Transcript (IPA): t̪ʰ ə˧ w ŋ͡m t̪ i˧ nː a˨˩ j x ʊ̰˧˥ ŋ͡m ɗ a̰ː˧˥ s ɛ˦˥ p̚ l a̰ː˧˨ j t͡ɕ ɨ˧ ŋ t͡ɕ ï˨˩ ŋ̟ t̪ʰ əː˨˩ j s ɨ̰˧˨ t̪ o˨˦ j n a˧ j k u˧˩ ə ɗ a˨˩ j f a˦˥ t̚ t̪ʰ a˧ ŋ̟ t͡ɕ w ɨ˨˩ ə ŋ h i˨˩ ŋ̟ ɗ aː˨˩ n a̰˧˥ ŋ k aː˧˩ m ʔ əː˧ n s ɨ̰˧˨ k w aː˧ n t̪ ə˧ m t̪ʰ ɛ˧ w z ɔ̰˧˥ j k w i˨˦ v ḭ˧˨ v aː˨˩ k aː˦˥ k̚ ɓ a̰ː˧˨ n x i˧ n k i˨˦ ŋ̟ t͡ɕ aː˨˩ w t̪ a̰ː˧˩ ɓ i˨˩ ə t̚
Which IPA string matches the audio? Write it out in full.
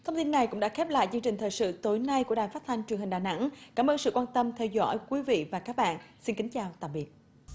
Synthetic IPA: t̪ʰ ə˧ w ŋ͡m t̪ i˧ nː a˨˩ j k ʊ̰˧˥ ŋ͡m ɗ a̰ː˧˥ x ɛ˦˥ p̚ l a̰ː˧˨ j t͡ɕ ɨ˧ ŋ t͡ɕ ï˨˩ ŋ̟ t̪ʰ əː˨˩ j s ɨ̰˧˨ t̪ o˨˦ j n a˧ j k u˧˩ ə ɗ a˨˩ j f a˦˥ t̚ t̪ʰ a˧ ŋ̟ t͡ɕ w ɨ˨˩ ə ŋ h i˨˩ ŋ̟ ɗ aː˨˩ n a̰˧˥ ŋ k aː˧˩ m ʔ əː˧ n s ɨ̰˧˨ k w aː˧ n t̪ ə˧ m t̪ʰ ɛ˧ w z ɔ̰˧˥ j k w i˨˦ v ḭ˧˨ v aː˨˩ k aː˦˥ k̚ ɓ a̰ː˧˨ n s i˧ n k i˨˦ ŋ̟ t͡ɕ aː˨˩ w t̪ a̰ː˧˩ ɓ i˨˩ ə t̚

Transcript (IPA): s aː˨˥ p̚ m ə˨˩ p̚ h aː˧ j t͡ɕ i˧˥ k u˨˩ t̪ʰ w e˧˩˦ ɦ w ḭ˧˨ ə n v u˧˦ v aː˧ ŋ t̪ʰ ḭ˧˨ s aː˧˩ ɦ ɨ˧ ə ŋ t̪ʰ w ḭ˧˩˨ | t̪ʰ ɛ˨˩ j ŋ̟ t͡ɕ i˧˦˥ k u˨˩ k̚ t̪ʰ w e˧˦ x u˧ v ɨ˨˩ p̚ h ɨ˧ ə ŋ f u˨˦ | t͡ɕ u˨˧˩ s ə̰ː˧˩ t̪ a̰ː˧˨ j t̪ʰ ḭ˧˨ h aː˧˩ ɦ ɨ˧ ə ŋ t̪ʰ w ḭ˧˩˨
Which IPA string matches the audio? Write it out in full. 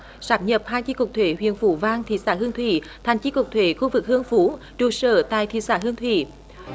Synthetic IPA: s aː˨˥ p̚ ɲ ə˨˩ p̚ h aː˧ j t͡ɕ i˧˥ k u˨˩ t̪ʰ w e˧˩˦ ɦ w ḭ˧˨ ə n f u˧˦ v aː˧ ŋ t̪ʰ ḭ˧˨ s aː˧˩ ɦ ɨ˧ ə ŋ t̪ʰ w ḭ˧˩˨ | t̪ʰ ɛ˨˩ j ŋ̟ t͡ɕ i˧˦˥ k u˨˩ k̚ t̪ʰ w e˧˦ x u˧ v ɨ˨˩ k̚ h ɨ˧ ə ŋ f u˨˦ | t͡ɕ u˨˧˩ s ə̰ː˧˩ t̪ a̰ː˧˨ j t̪ʰ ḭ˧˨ s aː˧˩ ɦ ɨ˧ ə ŋ t̪ʰ w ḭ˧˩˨

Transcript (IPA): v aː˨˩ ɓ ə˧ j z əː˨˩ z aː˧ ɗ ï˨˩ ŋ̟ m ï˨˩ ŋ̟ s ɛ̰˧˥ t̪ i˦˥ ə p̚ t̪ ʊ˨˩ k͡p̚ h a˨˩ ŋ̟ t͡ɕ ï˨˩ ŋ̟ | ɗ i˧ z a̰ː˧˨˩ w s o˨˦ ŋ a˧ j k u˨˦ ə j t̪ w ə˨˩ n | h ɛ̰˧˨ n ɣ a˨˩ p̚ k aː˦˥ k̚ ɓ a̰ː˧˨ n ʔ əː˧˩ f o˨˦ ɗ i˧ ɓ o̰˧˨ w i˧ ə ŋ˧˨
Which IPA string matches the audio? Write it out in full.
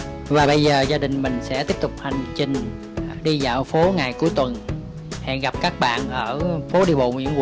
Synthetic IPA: v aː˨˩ ɓ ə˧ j z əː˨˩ z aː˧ ɗ ï˨˩ ŋ̟ m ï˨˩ ŋ̟ s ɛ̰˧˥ t̪ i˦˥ ə p̚ t̪ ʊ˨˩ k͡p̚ h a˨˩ ŋ̟ t͡ɕ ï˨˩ ŋ̟ | ɗ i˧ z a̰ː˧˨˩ w f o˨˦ ŋ a˨˩ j k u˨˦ ə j t̪ w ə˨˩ n | h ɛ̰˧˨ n ɣ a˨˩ p̚ k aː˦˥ k̚ ɓ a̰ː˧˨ n ʔ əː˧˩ f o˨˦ ɗ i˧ ɓ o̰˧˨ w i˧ ə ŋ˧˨

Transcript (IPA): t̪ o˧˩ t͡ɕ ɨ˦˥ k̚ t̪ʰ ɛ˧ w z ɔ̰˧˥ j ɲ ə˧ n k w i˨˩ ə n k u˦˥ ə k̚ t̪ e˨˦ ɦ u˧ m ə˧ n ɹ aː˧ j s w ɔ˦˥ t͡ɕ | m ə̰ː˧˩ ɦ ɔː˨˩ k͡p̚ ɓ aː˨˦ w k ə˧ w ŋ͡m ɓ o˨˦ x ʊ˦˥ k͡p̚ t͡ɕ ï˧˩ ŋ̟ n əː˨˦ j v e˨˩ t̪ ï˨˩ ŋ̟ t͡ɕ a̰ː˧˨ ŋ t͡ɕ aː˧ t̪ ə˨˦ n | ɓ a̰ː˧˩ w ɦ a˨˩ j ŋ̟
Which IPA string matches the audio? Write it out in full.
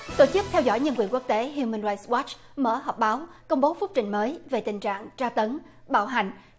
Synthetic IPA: t̪ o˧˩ t͡ɕ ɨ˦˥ k̚ t̪ʰ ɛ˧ w z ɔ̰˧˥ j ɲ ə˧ n k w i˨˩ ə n k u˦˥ ə k̚ t̪ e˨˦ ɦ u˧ m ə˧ n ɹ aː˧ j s w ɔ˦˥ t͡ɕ | m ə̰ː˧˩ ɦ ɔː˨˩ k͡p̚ ɓ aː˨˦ w k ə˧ w ŋ͡m ɓ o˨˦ f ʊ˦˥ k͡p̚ t͡ɕ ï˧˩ ŋ̟ m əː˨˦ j v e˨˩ t̪ ï˨˩ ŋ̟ t͡ɕ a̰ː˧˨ ŋ t͡ɕ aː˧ t̪ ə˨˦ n | ɓ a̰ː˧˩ w ɦ a˨˩ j ŋ̟

